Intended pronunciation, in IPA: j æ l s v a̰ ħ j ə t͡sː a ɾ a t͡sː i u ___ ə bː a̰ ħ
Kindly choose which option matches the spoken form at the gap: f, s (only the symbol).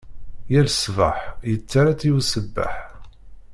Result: s